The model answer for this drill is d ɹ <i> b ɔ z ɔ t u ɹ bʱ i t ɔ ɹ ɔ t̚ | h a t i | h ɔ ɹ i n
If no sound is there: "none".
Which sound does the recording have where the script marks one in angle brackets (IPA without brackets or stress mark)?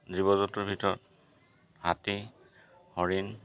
i